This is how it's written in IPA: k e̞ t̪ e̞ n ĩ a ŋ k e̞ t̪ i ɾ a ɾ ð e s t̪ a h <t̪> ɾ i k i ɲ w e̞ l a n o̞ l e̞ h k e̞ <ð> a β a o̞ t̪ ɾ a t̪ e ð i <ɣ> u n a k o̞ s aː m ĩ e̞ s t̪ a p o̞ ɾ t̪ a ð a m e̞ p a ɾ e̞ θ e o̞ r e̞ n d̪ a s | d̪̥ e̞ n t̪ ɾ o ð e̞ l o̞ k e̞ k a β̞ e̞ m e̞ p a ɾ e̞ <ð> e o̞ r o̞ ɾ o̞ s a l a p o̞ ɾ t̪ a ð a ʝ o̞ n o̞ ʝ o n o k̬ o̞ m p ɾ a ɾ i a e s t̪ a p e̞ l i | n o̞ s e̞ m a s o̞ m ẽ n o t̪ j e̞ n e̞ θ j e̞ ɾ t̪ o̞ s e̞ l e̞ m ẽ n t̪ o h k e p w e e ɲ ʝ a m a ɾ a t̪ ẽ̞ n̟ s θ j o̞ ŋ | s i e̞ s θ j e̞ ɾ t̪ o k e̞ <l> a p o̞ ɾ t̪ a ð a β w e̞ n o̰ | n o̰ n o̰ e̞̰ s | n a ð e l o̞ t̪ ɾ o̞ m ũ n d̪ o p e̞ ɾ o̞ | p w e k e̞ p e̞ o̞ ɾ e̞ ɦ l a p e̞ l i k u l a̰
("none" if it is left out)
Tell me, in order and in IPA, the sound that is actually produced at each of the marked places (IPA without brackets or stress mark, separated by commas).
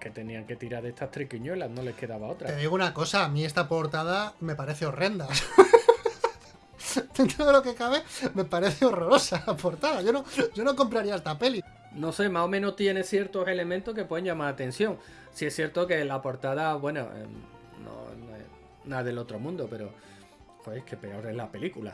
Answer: t̪, ð, ɣ, θ, l